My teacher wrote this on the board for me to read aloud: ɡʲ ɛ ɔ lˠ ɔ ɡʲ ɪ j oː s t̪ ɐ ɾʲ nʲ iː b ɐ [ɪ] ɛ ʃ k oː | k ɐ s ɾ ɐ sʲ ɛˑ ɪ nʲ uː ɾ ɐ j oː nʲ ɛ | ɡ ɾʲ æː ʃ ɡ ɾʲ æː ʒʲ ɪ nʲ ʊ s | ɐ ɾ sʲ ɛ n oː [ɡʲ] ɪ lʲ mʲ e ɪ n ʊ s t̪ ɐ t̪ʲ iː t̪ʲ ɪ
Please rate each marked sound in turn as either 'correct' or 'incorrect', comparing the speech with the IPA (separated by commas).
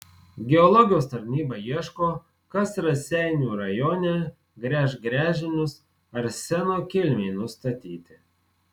incorrect, incorrect